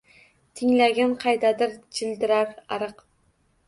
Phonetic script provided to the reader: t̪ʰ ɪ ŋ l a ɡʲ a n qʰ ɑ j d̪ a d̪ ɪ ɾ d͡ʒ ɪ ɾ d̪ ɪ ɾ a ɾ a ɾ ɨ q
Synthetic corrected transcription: t̪ʰ ɪ ŋ l a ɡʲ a n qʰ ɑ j d̪ a d̪ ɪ ɾ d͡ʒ ɪ l d̪ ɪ ɾ a ɾ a ɾ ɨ q